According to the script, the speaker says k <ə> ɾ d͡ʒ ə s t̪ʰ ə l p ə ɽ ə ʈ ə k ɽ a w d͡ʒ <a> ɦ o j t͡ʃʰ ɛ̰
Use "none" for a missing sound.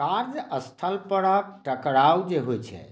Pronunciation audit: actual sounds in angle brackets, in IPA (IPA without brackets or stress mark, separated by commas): a, e